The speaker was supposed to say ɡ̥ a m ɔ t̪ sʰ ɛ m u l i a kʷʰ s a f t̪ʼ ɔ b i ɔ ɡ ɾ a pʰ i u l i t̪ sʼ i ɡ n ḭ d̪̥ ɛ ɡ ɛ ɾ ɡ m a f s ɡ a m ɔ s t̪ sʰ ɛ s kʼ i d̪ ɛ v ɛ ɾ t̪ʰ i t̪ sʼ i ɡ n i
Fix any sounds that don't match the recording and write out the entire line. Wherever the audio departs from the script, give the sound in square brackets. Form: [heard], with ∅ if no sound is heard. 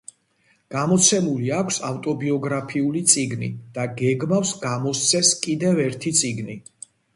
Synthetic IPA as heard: ɡ̥ a m ɔ t̪ sʰ ɛ m u l i a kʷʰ s a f t̪ʼ ɔ b i ɔ ɡ ɾ a pʰ i u l i t̪ sʼ i ɡ n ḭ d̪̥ [a] ɡ ɛ [∅] ɡ m a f s ɡ a m ɔ s t̪ sʰ ɛ s kʼ i d̪ ɛ v ɛ ɾ t̪ʰ i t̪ sʼ i ɡ n i